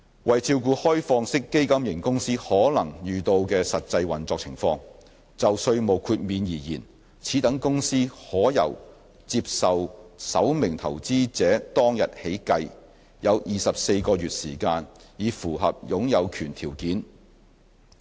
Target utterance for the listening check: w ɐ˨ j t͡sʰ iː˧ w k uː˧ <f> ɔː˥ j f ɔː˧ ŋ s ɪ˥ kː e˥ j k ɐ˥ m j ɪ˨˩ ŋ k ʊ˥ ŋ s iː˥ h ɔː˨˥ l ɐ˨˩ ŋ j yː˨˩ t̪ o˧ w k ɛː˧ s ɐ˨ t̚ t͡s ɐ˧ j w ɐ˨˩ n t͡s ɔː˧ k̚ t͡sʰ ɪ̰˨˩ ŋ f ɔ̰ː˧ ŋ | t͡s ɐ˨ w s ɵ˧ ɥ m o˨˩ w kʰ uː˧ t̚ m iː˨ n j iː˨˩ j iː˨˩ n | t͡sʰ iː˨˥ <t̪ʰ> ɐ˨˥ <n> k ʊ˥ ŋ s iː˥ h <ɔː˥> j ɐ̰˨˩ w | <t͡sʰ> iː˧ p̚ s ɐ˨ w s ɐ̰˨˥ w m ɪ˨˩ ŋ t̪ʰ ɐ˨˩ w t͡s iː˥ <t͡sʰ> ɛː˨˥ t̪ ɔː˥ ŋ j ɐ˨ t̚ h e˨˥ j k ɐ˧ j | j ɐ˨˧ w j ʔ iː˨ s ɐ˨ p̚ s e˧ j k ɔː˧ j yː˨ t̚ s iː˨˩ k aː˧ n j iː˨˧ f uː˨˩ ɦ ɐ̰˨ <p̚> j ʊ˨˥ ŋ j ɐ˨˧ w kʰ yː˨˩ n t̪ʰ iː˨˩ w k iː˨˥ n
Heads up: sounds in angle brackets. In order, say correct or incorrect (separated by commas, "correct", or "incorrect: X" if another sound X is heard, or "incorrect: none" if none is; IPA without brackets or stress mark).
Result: incorrect: h, incorrect: t̪, incorrect: ŋ, incorrect: ɔː˨˥, incorrect: t͡s, incorrect: t͡s, correct